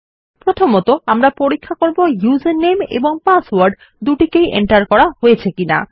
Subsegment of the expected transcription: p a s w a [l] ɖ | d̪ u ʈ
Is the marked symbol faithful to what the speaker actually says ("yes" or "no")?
no